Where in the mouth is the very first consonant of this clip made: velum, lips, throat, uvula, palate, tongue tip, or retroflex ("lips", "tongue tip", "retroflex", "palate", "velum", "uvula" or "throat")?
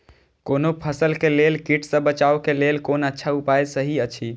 velum